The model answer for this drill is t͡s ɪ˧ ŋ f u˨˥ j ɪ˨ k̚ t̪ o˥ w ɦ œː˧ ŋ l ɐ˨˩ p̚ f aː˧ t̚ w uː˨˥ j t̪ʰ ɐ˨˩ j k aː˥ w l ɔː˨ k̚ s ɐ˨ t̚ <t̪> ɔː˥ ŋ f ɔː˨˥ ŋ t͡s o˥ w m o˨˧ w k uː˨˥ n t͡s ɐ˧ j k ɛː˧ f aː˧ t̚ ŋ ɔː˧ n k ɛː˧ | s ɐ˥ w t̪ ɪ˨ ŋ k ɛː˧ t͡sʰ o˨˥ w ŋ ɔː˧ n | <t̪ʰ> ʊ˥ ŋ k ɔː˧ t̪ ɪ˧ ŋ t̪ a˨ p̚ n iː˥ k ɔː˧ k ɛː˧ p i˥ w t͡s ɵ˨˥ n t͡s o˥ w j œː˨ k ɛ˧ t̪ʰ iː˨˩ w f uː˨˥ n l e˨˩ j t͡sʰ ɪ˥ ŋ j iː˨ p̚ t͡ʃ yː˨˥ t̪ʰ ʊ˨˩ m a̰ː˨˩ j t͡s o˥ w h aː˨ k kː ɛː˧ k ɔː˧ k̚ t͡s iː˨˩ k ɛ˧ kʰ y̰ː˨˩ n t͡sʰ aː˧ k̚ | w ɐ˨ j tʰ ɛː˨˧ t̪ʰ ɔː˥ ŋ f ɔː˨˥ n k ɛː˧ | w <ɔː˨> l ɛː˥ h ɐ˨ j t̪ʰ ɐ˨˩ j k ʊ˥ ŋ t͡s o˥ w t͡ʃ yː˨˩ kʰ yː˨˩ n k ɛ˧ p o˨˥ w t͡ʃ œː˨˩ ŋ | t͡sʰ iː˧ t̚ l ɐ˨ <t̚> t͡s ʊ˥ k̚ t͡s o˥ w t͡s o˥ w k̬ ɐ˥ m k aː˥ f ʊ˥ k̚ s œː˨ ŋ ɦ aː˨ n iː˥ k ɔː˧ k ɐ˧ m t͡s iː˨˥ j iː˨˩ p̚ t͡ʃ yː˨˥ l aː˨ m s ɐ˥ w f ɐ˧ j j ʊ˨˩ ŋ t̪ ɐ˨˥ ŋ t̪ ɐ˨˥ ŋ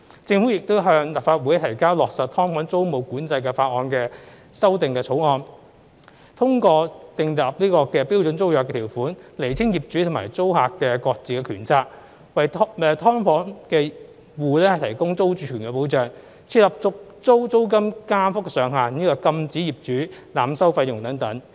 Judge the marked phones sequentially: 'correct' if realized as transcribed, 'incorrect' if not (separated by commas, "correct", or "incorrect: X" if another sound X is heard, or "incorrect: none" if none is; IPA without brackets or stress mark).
incorrect: t̪ʰ, correct, incorrect: uː˨, incorrect: p̚